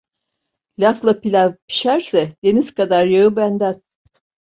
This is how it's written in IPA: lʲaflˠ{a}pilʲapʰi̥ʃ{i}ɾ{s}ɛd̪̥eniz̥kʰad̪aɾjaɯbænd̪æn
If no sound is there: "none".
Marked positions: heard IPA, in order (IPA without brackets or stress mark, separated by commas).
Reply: a, æ, s